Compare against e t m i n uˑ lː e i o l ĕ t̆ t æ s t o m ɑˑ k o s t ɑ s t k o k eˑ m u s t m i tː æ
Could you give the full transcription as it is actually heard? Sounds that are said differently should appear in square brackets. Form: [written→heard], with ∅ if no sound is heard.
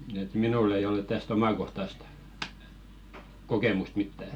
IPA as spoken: e t m i n uˑ lː e i o l ĕ t̆ t æ s t o m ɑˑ k o [s→h] t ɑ s t k o k eˑ m u s t m i tː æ